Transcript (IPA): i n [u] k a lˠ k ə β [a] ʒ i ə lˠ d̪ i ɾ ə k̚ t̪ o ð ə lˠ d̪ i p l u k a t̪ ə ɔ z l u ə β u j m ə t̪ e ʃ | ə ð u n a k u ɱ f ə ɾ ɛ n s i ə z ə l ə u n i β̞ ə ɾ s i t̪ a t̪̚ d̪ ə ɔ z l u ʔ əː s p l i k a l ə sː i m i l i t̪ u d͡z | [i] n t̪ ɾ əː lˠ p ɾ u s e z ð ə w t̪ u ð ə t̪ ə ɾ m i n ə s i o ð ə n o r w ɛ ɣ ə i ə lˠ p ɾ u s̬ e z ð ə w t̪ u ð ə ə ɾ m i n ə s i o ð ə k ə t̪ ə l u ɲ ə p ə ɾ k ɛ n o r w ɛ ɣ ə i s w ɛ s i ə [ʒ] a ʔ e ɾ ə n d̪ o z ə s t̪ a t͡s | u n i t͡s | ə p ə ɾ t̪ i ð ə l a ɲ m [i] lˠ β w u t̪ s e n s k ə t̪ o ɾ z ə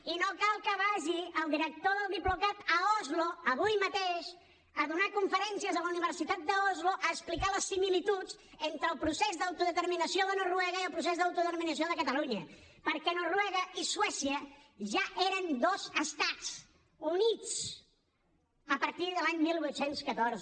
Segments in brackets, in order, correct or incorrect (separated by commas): incorrect, correct, incorrect, correct, correct